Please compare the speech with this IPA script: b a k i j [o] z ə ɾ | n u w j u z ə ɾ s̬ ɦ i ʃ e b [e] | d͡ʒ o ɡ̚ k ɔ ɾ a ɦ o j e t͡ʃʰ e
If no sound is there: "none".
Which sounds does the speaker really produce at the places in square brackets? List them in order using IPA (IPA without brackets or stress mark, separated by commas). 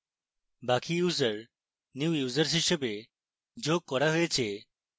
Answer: u, e